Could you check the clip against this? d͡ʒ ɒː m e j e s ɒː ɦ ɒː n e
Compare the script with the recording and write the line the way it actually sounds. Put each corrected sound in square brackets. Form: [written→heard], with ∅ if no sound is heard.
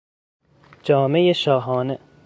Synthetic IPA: d͡ʒ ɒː m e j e [s→ʃ] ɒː ɦ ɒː n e